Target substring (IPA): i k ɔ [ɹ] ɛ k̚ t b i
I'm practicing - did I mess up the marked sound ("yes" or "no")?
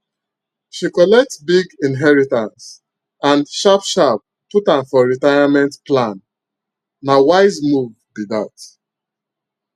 yes